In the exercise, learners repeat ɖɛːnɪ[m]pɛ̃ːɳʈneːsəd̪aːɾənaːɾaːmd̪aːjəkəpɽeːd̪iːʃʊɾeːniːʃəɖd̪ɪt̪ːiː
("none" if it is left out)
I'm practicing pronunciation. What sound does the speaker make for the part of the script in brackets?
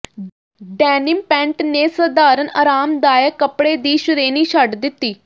m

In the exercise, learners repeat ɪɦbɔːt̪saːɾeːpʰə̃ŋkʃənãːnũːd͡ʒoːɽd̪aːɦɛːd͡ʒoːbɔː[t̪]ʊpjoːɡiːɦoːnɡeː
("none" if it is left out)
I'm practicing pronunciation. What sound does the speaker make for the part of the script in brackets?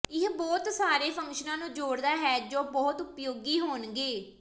t̪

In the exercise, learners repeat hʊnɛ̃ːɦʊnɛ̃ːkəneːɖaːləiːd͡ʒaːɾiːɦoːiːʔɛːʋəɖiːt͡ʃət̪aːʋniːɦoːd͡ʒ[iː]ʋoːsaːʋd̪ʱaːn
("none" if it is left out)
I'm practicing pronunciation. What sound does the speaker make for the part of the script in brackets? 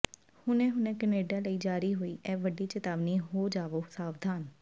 aː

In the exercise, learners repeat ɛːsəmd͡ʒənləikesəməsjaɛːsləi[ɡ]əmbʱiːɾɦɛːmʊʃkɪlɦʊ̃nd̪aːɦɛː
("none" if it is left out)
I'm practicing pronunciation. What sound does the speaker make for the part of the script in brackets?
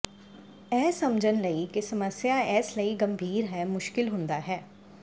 ɡ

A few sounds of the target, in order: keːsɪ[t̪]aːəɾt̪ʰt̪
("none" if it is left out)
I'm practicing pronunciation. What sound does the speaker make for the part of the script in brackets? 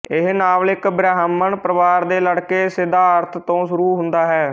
d̪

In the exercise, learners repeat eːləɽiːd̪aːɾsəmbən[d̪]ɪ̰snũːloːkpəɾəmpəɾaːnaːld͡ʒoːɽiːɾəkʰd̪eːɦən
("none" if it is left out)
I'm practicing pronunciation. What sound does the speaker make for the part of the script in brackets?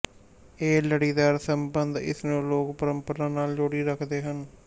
d̪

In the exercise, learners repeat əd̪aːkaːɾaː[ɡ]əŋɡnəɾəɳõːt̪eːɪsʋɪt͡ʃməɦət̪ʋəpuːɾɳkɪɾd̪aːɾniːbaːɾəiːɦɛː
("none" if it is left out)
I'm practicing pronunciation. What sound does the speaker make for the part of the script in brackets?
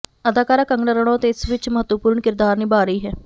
k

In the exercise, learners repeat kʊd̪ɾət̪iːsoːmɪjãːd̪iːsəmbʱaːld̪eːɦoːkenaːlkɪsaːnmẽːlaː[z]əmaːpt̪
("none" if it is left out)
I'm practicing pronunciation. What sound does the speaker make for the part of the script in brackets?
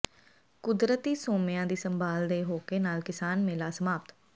s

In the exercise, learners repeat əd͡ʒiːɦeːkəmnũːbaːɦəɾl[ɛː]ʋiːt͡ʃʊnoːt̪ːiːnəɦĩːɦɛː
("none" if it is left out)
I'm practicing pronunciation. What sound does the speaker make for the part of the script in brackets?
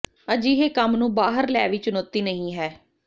ɛː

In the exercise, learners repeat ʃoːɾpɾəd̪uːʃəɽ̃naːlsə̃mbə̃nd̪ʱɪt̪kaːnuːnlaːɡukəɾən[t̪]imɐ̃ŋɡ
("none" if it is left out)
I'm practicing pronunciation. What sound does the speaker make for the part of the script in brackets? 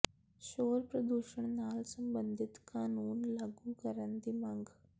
d̪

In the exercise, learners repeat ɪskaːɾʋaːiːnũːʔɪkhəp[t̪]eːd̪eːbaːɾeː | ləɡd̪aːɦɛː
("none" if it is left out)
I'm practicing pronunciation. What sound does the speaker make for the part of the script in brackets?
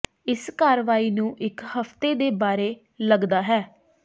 t̪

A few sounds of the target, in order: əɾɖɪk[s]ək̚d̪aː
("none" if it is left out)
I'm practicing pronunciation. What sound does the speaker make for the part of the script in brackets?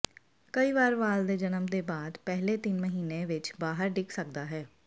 s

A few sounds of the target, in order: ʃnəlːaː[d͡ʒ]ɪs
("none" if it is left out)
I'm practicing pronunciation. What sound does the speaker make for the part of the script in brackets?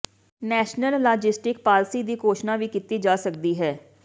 d͡ʒ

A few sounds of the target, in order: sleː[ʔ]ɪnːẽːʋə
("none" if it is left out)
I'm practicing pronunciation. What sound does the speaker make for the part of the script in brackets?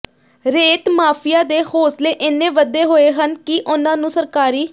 ʔ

